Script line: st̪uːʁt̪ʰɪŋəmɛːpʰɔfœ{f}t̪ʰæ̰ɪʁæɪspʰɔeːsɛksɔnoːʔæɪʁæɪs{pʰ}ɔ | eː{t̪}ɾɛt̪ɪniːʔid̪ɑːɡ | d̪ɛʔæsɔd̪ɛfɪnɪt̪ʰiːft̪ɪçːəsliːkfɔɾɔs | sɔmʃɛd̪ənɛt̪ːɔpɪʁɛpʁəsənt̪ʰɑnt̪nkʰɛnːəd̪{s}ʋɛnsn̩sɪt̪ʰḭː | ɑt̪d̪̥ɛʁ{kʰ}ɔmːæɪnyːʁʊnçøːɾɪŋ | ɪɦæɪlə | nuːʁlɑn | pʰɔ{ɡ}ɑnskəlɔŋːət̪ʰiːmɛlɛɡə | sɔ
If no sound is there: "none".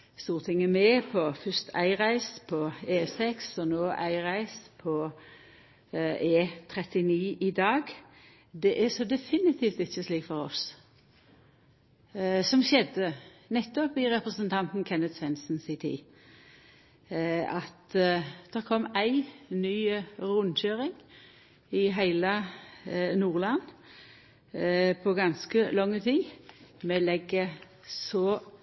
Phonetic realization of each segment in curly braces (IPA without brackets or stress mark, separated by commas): s, pʰ, t̪ʰ, s, kʰ, ɡ